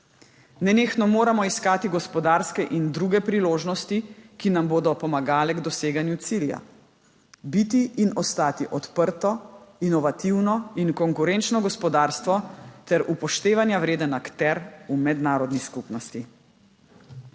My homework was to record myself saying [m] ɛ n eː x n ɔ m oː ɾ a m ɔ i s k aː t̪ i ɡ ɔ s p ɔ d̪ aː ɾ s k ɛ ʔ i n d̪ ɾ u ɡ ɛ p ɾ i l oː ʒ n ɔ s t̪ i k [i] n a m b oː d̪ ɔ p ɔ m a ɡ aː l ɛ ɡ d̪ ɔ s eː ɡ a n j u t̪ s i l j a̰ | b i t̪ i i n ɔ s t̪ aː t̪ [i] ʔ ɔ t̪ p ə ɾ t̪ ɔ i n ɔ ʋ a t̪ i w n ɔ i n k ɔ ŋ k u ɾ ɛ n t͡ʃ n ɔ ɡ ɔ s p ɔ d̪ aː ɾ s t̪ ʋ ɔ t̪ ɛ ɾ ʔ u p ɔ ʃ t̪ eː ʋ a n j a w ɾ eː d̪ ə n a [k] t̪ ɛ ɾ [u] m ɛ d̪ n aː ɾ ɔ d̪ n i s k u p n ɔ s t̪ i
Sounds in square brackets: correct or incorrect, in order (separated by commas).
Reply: incorrect, correct, correct, correct, correct